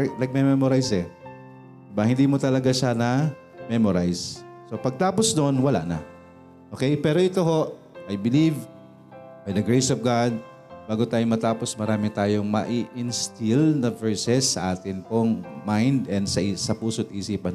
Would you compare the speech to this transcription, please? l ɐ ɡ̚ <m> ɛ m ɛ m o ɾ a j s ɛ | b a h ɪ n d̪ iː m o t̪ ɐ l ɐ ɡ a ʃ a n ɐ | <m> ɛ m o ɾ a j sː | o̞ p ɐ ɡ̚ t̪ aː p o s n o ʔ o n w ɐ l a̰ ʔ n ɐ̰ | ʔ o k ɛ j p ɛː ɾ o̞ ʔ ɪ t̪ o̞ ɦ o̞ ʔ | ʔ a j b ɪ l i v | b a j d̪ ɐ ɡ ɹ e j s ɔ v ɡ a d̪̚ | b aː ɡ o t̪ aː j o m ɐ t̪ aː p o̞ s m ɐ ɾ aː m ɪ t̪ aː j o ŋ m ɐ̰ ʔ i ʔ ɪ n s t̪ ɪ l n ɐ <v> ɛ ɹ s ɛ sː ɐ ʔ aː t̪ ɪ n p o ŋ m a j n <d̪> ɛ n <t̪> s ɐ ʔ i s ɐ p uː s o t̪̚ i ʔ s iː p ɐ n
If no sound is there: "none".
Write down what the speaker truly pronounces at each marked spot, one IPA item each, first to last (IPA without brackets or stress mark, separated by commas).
m, m, v, d̪, d̪